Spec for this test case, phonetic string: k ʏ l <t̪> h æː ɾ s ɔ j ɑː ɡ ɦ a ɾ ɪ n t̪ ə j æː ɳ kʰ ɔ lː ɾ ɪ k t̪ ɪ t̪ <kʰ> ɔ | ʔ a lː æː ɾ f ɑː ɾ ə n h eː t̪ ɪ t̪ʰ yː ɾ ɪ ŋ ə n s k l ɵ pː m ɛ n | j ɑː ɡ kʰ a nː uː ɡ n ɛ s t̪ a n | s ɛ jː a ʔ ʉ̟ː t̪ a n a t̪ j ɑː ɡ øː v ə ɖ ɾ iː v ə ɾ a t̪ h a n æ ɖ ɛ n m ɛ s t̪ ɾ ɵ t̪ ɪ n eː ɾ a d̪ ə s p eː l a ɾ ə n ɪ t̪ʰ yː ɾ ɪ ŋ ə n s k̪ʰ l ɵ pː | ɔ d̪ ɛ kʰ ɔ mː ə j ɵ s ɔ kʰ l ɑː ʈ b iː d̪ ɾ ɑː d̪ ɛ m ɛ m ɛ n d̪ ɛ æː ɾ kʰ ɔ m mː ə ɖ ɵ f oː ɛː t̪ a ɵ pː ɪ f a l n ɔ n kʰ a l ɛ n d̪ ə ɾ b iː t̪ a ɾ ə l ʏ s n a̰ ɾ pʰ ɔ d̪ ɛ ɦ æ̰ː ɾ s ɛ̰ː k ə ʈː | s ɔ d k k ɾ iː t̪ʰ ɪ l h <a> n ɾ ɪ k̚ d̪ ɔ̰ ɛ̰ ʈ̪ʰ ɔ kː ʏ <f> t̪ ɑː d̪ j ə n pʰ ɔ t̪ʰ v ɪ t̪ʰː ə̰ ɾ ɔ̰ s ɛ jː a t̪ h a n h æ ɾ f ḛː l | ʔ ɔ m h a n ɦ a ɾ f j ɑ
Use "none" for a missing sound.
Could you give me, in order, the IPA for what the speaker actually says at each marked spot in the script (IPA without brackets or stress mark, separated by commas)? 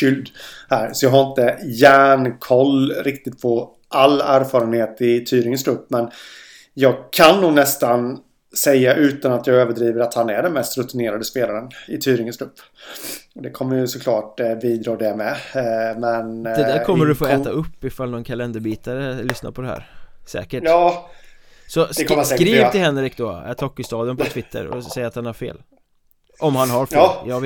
d̪, pʰ, ɛ, s